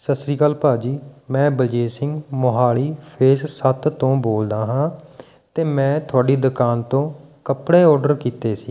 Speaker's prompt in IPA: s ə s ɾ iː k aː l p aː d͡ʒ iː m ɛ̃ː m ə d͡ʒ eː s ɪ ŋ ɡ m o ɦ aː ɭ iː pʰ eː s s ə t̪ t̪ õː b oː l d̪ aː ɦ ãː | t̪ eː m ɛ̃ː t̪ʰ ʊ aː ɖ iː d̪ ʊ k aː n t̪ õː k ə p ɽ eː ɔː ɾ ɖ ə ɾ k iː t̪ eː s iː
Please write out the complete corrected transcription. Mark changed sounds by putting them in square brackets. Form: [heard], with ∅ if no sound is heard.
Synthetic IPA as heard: s ə s ɾ iː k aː l p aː d͡ʒ iː m ɛ̃ː [b] ə d͡ʒ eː s ɪ ŋ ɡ m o ɦ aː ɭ iː pʰ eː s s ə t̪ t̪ õː b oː l d̪ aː ɦ ãː | t̪ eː m ɛ̃ː t̪ʰ ʊ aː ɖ iː d̪ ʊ k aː n t̪ õː k ə p ɽ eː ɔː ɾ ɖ ə ɾ k iː t̪ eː s iː